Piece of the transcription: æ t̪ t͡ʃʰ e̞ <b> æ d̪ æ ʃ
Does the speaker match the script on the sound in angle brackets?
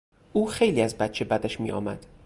yes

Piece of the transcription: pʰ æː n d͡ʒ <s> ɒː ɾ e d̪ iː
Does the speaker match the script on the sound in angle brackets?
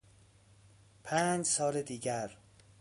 yes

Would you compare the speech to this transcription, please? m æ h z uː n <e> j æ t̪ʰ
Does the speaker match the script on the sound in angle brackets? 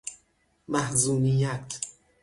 no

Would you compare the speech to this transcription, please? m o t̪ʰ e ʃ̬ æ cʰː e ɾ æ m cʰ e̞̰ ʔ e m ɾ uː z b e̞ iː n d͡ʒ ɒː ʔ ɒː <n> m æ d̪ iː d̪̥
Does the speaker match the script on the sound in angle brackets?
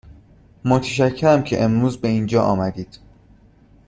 no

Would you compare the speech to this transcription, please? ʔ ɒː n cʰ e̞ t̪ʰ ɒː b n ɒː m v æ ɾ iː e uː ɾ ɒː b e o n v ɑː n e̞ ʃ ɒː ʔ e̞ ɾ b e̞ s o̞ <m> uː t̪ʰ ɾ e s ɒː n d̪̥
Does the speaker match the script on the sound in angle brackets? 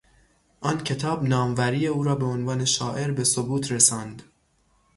no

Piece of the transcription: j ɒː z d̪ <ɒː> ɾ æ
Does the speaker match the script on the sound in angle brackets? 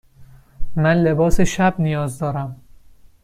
yes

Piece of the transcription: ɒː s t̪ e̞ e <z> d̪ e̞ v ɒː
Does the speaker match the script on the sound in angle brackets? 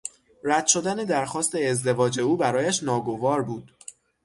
yes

